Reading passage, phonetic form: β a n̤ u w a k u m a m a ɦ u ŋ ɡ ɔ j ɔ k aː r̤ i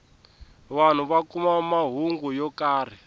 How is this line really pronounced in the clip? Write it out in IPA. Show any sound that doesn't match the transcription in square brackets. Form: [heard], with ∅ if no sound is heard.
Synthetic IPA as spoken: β a n̤ u [β] a k u m a m a ɦ u ŋ ɡ [u] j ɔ k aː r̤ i